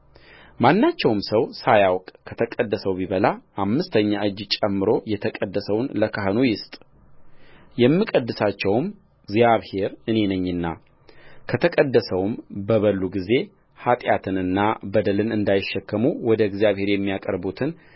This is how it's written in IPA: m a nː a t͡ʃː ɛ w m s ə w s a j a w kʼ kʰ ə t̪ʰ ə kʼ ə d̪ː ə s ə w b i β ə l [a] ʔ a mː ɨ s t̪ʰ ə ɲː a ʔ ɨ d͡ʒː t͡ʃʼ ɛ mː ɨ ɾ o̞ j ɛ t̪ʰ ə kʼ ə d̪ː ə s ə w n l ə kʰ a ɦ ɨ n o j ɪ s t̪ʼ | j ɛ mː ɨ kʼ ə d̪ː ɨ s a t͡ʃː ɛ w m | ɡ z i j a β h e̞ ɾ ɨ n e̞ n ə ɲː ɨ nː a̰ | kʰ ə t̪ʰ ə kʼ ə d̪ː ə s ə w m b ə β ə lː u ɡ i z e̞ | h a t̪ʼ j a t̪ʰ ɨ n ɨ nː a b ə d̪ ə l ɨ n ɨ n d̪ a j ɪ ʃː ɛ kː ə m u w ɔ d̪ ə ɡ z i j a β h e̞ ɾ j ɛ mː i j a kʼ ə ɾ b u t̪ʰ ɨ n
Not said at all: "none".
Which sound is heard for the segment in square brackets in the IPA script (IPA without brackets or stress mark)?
a